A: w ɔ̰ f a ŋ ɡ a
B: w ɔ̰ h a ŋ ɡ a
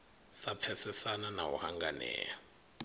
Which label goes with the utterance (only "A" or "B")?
B